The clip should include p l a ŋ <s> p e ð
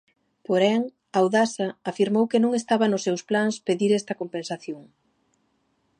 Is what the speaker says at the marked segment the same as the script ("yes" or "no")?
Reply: yes